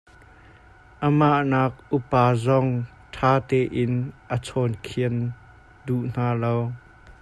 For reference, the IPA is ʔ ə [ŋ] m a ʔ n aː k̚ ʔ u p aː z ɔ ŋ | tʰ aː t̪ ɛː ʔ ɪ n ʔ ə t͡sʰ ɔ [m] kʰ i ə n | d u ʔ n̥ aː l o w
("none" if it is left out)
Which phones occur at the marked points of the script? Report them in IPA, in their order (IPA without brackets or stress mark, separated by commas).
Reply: none, n